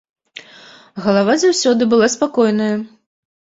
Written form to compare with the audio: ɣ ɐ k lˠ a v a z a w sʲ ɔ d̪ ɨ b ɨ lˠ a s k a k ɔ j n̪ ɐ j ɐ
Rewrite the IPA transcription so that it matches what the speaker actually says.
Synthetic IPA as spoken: ɣ ɐ lˠ a v a z a w sʲ ɔ d̪ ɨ b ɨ lˠ a s p a k ɔ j n̪ ɐ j ɐ